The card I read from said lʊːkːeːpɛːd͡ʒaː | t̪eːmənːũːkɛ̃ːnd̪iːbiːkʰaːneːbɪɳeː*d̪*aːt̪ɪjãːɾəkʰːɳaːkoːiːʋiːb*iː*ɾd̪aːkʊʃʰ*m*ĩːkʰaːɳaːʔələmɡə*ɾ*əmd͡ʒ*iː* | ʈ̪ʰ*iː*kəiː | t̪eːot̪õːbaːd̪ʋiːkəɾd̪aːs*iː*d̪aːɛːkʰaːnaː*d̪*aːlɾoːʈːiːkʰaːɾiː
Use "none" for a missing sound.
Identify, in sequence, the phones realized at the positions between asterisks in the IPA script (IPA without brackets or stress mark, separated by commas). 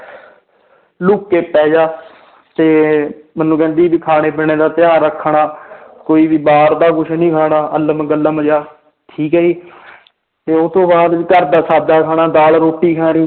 d̪, aː, n, l, aː, iː, aː, d̪